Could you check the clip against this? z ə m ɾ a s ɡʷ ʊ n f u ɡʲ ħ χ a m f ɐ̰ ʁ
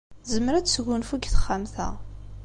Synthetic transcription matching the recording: z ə m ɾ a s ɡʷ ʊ n f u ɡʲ θ χ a m θ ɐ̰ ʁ